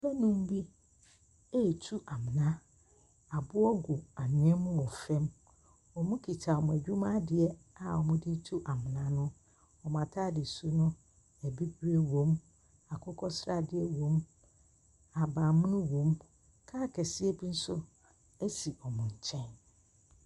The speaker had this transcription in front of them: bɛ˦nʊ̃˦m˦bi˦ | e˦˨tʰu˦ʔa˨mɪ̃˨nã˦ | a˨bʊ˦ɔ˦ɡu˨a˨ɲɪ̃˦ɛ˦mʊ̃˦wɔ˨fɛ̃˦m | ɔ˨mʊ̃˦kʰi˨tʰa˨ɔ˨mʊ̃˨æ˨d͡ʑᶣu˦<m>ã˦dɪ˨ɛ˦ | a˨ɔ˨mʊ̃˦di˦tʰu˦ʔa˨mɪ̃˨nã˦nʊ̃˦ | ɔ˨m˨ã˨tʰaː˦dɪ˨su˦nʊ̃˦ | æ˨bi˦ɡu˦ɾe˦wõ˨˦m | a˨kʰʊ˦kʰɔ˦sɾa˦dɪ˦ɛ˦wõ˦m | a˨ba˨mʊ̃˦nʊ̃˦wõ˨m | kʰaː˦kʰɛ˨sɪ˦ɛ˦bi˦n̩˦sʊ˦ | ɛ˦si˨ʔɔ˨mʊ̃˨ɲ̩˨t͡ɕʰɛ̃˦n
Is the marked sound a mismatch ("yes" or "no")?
no